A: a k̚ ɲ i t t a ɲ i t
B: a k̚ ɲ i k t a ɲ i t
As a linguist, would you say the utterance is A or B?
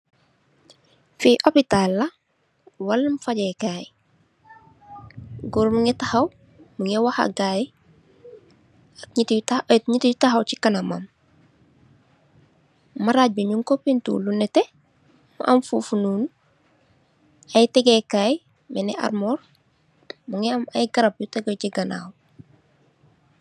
A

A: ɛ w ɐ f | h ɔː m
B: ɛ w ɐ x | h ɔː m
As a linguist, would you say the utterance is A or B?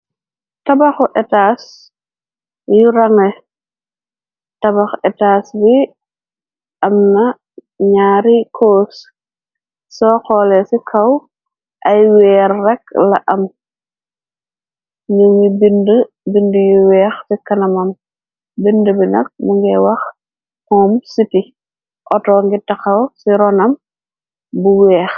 B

